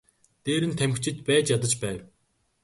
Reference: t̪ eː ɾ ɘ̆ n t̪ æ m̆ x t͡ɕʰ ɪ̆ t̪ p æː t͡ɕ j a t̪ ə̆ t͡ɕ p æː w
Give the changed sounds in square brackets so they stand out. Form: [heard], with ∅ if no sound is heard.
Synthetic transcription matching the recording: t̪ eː ɾ ɘ̆ n [t̪ʰ] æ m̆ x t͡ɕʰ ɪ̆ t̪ p æː t͡ɕ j a t̪ ə̆ t͡ɕ p æː w